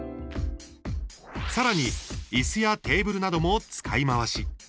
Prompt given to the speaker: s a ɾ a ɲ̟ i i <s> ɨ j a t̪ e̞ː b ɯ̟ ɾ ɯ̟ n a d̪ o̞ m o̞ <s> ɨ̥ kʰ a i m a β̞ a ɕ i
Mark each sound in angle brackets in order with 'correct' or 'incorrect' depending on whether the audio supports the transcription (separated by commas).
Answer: correct, incorrect